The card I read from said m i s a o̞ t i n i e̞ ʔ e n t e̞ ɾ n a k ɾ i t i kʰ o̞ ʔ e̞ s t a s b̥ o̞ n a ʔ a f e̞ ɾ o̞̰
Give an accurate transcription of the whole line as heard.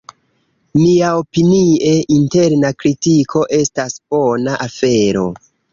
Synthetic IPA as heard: m i a o̞ p i n i e̞ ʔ i n t e̞ ɾ n a k ɾ i t i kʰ o̞ ʔ e̞ s t a s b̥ o̞ n a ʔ a f e̞ ɾ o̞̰